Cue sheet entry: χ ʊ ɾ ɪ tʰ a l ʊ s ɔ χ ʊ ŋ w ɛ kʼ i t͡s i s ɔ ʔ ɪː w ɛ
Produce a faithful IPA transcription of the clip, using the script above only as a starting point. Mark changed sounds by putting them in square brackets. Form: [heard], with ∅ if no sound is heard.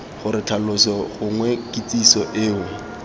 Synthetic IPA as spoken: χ ʊ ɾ ɪ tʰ a l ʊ s ɔ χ ʊ ŋ w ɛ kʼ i t͡s i s ɔ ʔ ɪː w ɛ

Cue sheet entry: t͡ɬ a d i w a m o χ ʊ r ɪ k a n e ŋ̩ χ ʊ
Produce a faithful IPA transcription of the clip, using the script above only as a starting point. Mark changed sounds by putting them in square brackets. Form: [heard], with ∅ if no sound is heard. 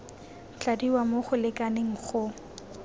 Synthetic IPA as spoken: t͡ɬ a d i w a m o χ ʊ [l] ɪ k a n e ŋ̩ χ ʊ

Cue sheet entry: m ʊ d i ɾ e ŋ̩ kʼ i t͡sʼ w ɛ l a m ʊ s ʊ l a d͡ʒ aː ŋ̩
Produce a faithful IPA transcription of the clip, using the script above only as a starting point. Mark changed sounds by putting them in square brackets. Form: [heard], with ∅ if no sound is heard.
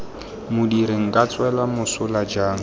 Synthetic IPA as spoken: m ʊ d i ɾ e ŋ̩ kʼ [a] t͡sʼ w ɛ l a m ʊ s ʊ l a d͡ʒ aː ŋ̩

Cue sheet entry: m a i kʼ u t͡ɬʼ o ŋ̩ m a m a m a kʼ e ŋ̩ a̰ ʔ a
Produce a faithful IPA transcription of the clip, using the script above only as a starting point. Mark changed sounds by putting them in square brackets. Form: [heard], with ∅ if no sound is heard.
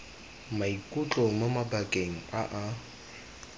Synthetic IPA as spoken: m a i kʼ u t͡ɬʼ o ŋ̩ m a m a [b] a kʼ e ŋ̩ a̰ ʔ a

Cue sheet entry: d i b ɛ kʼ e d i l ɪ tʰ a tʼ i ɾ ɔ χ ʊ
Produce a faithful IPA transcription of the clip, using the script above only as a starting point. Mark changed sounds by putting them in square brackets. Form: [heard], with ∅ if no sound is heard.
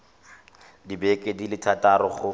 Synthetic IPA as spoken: d i b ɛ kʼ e d i l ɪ tʰ a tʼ [a] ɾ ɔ χ ʊ

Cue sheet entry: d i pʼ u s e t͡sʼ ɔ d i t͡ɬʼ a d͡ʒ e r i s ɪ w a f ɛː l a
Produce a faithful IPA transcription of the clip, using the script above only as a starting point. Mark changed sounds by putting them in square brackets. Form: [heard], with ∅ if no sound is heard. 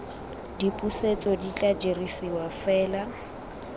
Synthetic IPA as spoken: d i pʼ u s e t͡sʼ ɔ d i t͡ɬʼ a d͡ʒ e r i s [i] w a f ɛː l a

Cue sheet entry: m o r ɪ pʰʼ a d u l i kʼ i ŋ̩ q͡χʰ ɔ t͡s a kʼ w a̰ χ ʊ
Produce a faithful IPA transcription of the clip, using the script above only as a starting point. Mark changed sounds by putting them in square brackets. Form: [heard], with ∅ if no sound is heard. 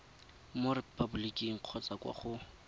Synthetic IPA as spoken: m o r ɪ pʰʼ a [b] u l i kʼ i ŋ̩ q͡χʰ ɔ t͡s a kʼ w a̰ χ ʊ

